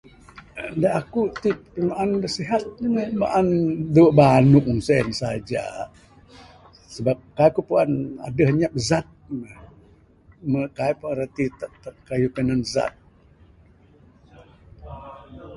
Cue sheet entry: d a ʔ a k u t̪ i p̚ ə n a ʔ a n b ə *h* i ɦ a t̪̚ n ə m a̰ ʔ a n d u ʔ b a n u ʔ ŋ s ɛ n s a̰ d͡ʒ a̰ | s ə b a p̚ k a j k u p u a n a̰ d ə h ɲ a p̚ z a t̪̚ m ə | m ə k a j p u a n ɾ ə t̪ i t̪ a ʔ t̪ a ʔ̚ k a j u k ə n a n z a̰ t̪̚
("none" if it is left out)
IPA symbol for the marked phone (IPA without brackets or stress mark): s